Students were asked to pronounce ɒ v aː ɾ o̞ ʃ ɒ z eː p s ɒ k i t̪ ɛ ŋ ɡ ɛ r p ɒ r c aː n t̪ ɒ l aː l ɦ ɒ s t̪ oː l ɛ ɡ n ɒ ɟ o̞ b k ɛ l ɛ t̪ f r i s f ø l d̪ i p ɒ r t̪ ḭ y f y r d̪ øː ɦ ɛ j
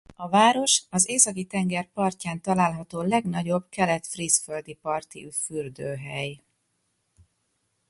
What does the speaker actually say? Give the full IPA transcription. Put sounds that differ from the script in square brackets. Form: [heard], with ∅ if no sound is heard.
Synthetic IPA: ɒ v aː ɾ o̞ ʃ ɒ z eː [∅] s ɒ k i t̪ ɛ ŋ ɡ ɛ r p ɒ r c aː n t̪ ɒ l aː l ɦ ɒ [∅] t̪ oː l ɛ ɡ n ɒ ɟ o̞ b k ɛ l ɛ t̪ f r i s f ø l d̪ i p ɒ r t̪ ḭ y f y r d̪ øː ɦ ɛ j

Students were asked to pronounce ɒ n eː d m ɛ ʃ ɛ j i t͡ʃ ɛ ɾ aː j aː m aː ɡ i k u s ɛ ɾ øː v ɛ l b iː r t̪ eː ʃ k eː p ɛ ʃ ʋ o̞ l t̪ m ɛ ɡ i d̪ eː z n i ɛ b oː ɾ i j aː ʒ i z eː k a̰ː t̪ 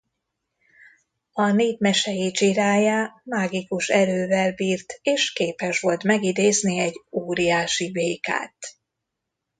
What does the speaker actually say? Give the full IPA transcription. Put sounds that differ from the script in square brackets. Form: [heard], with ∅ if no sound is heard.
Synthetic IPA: ɒ n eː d m ɛ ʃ ɛ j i t͡ʃ [i] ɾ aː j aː m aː ɡ i k u [ʃ] ɛ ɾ øː v ɛ l b iː r t̪ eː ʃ k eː p ɛ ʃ ʋ o̞ l t̪ m ɛ ɡ i d̪ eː z n i ɛ [ɟ] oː ɾ i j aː [ʃ] i [v] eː k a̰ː t̪

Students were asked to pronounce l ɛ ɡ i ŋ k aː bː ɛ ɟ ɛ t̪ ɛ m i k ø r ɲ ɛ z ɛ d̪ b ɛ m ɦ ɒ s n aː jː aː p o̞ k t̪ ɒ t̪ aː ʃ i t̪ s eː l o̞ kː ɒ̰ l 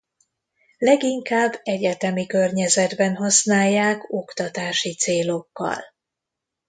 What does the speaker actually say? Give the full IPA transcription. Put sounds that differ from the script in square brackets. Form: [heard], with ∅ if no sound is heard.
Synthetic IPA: l ɛ ɡ i ŋ k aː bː ɛ ɟ ɛ t̪ ɛ m i k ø r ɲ ɛ z ɛ d̪ b ɛ [n] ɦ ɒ s n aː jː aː [k] o̞ k t̪ ɒ t̪ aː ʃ i t̪ s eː l o̞ kː ɒ̰ l

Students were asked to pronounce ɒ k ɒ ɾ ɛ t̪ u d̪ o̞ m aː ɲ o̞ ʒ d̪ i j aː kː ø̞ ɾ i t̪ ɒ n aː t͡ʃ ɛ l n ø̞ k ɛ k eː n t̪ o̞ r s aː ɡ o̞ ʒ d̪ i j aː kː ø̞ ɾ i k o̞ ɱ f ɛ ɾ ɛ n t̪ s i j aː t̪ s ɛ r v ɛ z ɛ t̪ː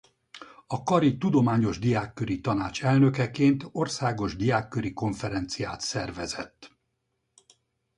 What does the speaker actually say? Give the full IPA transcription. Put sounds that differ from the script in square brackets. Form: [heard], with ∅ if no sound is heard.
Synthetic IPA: ɒ k ɒ ɾ [i] t̪ u d̪ o̞ m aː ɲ o̞ ʒ d̪ i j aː kː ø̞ ɾ i t̪ ɒ n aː t͡ʃ ɛ l n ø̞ k ɛ k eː n t̪ o̞ r s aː ɡ o̞ ʒ d̪ i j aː kː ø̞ ɾ i k o̞ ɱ f ɛ ɾ ɛ n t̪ s i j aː t̪ s ɛ r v ɛ z ɛ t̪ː

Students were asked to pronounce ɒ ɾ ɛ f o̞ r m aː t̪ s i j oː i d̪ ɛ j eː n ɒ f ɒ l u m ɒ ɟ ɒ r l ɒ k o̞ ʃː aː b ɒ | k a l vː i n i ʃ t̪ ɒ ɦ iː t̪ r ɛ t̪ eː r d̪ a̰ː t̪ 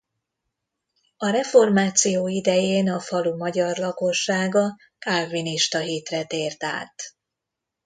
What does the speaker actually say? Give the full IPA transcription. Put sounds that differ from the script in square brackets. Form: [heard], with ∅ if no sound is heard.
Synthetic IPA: ɒ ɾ ɛ f o̞ r m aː t̪ s i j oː i d̪ ɛ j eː n ɒ f ɒ l u m ɒ ɟ ɒ r l ɒ k o̞ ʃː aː [ɡ] ɒ | k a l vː i n i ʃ t̪ ɒ ɦ iː t̪ r ɛ t̪ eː r [t̪] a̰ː t̪

